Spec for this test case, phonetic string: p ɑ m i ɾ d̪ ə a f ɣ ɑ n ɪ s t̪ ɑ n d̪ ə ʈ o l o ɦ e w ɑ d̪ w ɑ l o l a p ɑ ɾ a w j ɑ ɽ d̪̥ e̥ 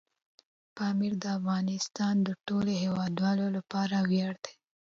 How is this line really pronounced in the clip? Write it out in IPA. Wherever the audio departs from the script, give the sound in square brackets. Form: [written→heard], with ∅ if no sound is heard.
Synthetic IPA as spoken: p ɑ m i ɾ d̪ ə a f ɣ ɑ n ɪ s t̪ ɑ n d̪ ə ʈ o l o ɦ e w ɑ d̪ w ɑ l o l a p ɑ ɾ a w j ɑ ɽ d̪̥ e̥

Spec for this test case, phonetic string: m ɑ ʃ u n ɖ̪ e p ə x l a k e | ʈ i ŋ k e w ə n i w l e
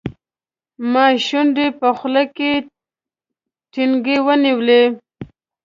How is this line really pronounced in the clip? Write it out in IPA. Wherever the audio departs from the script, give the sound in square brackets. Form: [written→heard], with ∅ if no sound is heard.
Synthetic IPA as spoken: m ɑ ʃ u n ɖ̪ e p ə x l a k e | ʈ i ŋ [k→ɡ] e w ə n i w l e

